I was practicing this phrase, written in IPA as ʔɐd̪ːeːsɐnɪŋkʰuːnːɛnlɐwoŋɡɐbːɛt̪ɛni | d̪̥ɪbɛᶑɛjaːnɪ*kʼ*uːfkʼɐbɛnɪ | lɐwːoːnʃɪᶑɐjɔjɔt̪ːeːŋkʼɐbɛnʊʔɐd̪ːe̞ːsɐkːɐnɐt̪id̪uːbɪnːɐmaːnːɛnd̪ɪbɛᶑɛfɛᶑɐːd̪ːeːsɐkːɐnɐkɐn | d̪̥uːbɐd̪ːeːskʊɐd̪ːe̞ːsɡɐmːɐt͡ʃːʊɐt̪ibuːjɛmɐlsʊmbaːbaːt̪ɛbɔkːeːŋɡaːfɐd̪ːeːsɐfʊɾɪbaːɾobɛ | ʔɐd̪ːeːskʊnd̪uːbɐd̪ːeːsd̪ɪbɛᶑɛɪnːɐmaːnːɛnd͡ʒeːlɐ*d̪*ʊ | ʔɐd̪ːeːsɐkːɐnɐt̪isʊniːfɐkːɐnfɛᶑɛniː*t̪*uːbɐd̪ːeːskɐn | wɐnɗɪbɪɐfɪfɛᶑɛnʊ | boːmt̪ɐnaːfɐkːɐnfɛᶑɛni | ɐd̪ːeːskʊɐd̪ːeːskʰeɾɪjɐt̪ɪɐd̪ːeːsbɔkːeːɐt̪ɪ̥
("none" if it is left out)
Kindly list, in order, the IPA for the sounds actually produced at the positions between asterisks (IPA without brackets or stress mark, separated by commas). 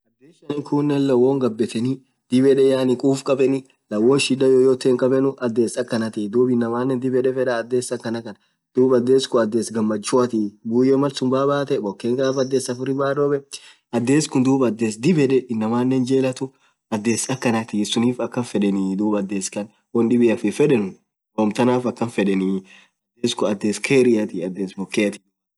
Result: kʼ, t̪, d̪